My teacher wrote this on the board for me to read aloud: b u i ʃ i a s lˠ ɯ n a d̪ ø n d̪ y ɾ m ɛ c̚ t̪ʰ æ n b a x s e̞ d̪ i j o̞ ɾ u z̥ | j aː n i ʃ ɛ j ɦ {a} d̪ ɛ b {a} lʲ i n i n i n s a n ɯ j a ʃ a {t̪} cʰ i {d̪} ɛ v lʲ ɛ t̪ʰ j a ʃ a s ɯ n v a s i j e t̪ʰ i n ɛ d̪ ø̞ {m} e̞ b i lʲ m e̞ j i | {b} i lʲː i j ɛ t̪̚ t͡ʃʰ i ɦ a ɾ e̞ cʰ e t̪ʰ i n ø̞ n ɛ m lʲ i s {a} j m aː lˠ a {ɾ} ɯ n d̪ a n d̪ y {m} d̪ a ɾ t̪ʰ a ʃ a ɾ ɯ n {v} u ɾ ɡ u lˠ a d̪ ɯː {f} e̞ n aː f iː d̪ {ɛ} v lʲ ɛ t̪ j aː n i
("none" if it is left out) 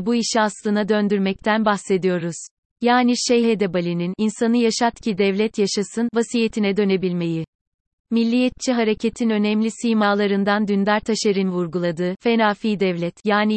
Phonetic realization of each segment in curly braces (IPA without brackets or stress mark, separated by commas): e, a, t̪, d̪, n, m, i, ɾ, n, v, f, ɛ